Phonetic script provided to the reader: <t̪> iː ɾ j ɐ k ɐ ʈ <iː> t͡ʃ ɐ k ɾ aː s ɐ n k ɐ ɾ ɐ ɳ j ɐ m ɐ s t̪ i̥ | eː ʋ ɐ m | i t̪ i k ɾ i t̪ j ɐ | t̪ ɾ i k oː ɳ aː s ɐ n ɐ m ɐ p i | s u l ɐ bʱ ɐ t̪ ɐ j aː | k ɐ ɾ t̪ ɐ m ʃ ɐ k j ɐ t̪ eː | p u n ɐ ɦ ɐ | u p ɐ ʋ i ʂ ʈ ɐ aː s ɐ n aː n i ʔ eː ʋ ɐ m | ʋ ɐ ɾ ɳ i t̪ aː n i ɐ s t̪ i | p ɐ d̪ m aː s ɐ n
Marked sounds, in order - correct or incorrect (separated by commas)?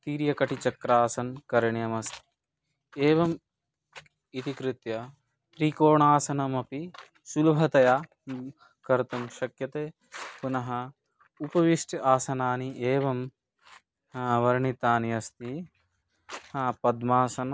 correct, incorrect